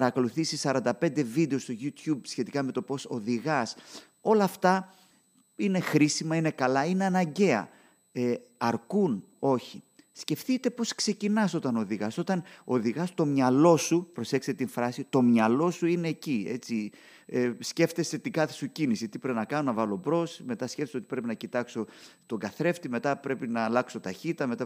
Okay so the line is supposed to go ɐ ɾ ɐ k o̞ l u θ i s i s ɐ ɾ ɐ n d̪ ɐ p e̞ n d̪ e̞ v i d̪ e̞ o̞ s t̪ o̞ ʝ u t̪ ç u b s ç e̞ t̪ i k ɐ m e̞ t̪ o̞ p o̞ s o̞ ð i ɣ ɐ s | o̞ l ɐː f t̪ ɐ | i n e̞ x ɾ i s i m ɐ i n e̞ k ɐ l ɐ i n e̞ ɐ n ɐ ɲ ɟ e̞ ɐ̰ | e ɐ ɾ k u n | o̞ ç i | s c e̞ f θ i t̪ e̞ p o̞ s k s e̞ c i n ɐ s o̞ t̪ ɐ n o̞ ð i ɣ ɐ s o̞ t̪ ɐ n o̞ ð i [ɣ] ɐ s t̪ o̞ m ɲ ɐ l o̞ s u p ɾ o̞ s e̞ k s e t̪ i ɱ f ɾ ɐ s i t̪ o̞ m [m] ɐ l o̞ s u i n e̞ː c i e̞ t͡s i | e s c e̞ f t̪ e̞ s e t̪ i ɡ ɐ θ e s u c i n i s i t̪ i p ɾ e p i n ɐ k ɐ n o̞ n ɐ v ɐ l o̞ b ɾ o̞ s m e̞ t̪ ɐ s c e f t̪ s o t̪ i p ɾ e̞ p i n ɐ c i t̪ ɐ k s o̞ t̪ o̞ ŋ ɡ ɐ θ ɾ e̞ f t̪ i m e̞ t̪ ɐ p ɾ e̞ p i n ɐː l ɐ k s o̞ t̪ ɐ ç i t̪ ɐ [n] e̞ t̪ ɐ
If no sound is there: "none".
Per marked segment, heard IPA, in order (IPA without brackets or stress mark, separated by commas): ɣ, ɲ, m